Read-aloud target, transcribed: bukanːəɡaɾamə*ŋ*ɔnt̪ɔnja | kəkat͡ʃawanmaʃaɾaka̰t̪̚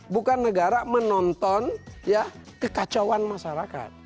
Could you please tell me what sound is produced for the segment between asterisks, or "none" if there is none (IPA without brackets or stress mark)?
n